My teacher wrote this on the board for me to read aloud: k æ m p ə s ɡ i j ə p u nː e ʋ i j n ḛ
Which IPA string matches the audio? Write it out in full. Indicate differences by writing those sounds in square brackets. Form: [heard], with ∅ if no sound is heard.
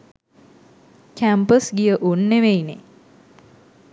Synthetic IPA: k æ m p ə s ɡ i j ə [ʔ] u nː e ʋ [e] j n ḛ